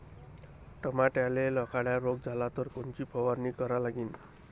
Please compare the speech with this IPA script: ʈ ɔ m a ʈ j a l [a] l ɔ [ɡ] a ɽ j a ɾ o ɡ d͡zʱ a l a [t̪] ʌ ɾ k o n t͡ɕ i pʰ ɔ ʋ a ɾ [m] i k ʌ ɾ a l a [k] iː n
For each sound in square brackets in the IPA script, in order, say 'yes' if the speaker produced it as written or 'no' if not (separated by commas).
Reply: no, no, yes, no, no